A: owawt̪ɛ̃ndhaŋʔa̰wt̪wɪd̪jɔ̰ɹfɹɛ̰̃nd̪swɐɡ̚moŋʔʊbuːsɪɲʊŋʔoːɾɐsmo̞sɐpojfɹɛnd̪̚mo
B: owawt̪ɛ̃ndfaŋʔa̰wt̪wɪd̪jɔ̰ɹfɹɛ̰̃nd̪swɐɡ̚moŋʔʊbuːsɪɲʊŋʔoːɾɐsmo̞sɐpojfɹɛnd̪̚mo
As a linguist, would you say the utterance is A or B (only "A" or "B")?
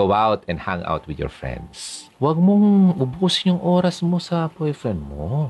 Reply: A